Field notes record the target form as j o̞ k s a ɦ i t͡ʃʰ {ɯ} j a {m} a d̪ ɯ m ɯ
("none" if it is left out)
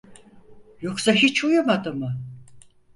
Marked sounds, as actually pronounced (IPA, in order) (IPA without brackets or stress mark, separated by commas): u, m